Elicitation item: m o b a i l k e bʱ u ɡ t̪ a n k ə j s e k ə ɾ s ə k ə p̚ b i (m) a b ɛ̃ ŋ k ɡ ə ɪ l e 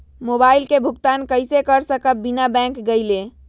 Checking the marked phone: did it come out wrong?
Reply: yes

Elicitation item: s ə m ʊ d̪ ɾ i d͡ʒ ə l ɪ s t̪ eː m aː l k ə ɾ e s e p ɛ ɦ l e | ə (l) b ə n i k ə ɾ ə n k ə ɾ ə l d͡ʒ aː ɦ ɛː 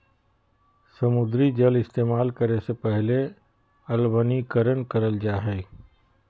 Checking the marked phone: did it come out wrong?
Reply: no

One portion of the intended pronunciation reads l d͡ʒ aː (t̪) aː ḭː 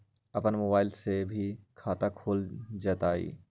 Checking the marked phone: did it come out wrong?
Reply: no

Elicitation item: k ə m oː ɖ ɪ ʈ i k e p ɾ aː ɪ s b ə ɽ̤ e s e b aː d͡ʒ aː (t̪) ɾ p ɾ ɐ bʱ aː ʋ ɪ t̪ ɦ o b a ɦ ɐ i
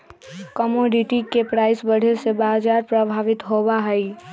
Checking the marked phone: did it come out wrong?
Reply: yes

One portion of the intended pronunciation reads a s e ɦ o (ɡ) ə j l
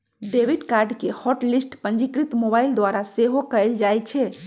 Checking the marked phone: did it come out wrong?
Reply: yes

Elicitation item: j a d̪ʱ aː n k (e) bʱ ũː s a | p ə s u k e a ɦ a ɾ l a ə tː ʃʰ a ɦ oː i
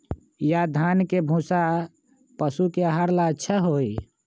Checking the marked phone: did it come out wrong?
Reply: no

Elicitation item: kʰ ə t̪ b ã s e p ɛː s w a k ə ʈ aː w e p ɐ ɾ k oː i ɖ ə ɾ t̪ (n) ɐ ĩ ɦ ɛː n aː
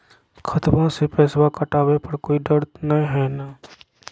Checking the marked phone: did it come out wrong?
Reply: no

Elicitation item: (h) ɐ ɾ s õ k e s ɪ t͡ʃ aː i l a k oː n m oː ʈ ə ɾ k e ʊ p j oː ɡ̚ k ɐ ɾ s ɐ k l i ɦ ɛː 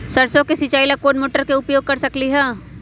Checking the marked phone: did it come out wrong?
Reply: yes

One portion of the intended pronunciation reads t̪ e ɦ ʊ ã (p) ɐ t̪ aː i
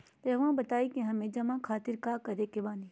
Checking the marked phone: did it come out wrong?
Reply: yes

